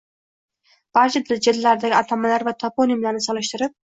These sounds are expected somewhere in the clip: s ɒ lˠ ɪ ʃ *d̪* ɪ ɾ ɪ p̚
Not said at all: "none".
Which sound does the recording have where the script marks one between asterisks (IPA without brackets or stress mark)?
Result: t̪